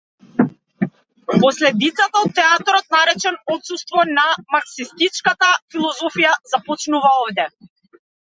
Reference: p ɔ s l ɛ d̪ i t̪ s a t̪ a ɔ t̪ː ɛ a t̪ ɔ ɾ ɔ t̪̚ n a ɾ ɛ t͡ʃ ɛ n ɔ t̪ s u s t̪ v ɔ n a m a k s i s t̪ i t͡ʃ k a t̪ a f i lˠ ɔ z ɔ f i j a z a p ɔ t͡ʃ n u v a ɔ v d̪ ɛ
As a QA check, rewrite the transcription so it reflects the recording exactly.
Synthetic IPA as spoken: p ɔ s l ɛ d̪ i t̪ s a t̪ a ɔ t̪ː ɛ a t̪ ɔ ɾ ɔ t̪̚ n a ɾ ɛ t͡ʃ ɛ n ɔ t̪ s u s t̪ v ɔ n a m a k s i s t̪ i t͡ʃ k a t̪ a f i lˠ ɔ z ɔ f i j a z a p ɔ t͡ʃ n u v a ɔ v d̪ ɛ